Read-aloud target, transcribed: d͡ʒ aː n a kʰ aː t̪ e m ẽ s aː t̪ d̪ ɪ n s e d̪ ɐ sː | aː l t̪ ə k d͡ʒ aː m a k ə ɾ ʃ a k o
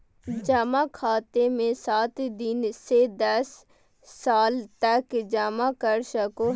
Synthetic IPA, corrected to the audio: d͡ʒ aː m a kʰ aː t̪ e m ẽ s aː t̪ d̪ ɪ n s e d̪ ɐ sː | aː l t̪ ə k d͡ʒ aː m a k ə ɾ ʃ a k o